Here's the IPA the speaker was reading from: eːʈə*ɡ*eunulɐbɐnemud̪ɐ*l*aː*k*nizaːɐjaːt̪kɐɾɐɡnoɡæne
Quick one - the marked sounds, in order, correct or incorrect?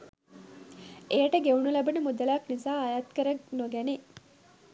correct, correct, correct

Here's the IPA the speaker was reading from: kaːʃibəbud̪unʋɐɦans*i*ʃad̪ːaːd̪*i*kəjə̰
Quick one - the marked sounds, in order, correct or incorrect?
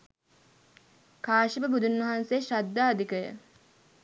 incorrect: e, correct

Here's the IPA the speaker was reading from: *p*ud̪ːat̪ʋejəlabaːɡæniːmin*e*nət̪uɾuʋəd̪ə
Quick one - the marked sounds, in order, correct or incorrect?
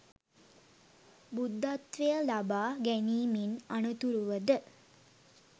incorrect: b, incorrect: a

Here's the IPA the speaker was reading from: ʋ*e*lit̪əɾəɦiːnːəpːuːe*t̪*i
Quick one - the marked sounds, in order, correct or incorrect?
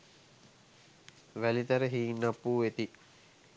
incorrect: æ, correct

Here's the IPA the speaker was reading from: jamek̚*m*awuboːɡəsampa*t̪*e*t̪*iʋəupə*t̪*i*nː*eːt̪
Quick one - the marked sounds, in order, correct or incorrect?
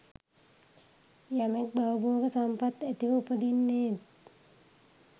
incorrect: b, correct, correct, incorrect: d̪, correct

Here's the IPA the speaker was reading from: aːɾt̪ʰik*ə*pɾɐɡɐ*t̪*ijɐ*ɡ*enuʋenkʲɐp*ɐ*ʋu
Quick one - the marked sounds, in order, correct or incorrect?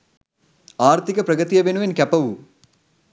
incorrect: ɐ, correct, incorrect: b, correct

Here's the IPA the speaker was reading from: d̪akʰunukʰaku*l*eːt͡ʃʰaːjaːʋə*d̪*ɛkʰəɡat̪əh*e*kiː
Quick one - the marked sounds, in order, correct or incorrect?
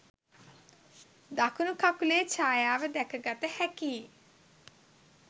correct, correct, incorrect: ɛ

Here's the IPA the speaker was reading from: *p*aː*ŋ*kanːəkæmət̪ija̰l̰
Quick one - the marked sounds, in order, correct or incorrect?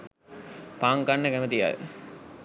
correct, correct

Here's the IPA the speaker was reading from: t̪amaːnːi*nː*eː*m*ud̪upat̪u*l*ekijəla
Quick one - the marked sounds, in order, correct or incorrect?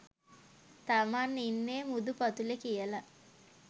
correct, correct, correct

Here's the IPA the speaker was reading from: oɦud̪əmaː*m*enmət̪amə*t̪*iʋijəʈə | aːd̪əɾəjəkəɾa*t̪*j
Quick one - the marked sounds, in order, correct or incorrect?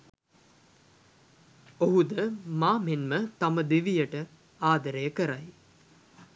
correct, incorrect: d̪, incorrect: none

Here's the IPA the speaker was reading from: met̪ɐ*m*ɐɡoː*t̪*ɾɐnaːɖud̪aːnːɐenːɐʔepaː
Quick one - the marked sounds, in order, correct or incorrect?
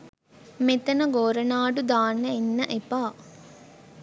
incorrect: n, incorrect: none

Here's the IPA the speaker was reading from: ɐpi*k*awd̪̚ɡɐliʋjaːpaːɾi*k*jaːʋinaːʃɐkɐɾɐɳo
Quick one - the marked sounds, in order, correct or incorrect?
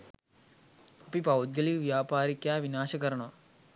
incorrect: p, correct

